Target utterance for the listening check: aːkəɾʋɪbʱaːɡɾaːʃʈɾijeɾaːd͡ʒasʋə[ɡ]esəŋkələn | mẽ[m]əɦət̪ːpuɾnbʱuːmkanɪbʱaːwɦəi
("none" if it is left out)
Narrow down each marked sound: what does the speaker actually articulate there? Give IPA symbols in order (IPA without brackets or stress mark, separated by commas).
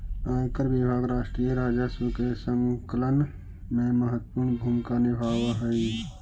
k, m